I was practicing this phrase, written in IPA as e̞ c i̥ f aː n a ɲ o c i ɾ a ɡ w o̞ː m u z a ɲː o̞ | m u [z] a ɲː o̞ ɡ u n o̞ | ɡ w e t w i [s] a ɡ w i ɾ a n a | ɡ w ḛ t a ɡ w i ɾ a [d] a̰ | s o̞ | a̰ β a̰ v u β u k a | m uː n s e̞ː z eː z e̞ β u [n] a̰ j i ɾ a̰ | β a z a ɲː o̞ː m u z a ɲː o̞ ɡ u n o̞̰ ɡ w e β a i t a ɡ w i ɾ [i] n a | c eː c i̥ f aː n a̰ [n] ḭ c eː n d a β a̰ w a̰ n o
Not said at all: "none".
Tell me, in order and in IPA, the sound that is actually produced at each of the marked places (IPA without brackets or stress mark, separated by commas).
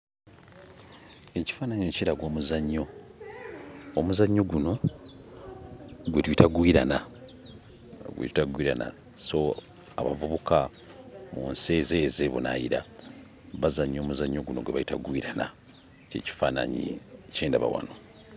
z, t, n, n, a, ɲ